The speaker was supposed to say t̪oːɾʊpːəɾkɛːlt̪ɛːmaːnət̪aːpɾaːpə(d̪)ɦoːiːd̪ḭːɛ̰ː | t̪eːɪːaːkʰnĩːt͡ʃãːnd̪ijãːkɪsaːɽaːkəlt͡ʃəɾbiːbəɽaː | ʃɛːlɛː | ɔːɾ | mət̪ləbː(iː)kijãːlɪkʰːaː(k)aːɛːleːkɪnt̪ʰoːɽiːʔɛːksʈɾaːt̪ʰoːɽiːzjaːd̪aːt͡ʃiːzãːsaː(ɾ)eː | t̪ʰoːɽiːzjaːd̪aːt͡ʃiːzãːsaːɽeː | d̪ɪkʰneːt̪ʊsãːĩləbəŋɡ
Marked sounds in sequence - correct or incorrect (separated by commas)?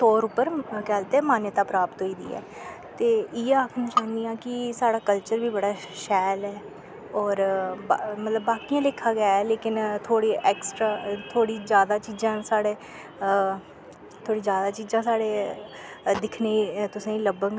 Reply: incorrect, incorrect, incorrect, incorrect